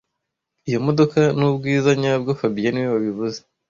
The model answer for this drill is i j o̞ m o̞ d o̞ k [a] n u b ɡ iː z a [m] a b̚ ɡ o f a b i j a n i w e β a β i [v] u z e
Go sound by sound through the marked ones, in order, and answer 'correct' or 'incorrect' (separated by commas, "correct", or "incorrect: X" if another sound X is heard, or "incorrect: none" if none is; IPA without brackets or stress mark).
correct, incorrect: ɲ, incorrect: β